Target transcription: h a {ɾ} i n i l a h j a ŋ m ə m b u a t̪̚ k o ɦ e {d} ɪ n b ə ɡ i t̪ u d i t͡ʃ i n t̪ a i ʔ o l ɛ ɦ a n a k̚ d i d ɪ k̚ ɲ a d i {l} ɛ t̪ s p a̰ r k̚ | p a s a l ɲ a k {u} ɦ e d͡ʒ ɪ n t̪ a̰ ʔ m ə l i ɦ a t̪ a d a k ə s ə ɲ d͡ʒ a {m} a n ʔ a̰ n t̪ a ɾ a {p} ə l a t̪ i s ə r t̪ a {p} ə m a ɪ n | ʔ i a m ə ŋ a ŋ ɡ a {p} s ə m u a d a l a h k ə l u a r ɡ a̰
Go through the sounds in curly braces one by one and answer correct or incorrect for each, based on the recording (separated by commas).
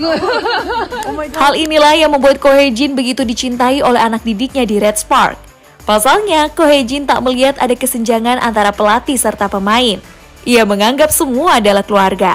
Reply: incorrect, incorrect, incorrect, incorrect, incorrect, correct, correct, correct